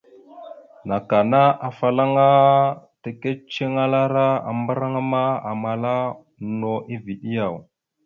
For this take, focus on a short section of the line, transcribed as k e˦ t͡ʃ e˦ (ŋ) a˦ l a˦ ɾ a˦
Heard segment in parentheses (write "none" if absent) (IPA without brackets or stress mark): ŋ